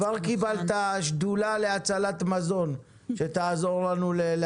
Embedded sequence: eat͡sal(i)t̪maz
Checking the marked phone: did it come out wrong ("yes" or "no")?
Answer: yes